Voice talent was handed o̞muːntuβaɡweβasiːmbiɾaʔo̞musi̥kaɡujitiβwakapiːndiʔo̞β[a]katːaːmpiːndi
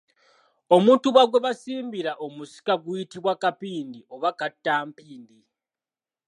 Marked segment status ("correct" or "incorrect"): correct